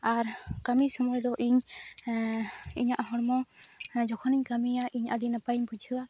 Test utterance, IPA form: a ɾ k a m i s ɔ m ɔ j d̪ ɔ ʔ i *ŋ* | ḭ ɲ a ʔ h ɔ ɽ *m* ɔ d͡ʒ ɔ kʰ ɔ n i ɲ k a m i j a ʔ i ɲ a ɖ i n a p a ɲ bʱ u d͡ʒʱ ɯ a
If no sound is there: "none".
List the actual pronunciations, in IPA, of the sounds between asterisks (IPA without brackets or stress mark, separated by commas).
ɲ, m